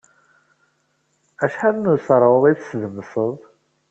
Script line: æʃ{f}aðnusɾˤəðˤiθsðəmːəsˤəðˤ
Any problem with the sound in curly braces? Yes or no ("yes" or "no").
yes